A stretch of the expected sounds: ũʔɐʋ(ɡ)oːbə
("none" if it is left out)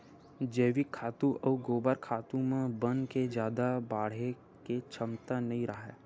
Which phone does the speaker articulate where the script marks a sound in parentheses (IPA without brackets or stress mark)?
ɡ